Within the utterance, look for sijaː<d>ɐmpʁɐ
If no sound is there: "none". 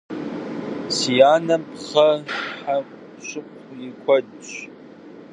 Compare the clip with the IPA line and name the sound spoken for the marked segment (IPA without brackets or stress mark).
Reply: n